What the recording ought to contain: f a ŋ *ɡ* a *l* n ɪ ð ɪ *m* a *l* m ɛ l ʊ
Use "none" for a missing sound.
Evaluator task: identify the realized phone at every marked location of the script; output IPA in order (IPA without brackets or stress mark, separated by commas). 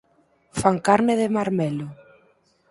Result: k, ɾ, m, ɾ